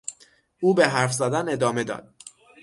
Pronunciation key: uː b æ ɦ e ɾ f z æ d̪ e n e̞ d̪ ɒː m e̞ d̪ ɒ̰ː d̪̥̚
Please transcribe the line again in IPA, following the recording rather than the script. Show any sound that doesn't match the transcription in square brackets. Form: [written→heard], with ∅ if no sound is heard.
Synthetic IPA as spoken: uː b [æ→e] ɦ [e→æ] ɾ f z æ d̪ [e→æ] n e̞ d̪ ɒː m e̞ d̪ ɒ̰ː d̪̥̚